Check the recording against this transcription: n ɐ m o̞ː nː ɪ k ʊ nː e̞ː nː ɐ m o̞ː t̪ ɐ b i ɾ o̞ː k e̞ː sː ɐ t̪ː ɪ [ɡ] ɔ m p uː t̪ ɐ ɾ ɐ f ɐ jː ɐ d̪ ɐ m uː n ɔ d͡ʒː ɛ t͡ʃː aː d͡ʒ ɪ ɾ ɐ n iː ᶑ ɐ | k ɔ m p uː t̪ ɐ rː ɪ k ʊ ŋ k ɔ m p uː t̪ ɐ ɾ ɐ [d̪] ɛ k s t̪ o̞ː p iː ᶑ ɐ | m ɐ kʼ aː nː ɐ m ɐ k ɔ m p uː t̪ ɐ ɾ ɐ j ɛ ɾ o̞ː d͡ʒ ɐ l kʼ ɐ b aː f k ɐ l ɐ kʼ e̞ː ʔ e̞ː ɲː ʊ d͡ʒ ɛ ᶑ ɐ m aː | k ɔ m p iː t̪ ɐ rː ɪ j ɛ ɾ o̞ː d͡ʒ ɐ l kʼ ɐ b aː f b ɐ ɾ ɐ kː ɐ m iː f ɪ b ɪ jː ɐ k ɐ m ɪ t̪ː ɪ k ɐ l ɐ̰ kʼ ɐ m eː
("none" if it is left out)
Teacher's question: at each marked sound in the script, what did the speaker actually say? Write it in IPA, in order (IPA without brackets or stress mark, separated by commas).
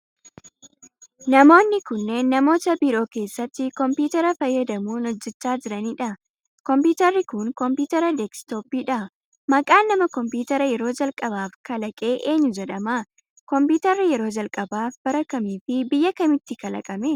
k, d̪